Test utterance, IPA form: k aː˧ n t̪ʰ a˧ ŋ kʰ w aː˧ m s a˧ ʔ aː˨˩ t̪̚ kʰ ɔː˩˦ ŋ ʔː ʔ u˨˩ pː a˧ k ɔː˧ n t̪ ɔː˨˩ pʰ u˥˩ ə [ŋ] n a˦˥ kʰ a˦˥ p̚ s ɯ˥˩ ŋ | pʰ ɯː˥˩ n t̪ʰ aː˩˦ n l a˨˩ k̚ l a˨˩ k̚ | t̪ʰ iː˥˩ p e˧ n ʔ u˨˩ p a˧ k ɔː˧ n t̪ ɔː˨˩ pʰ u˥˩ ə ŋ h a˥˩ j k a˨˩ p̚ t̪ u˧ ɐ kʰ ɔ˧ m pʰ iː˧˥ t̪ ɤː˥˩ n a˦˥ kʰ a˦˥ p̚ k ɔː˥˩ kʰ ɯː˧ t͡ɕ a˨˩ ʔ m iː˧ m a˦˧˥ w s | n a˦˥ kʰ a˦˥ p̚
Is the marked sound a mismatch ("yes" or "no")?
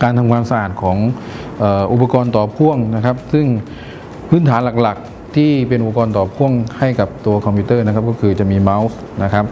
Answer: no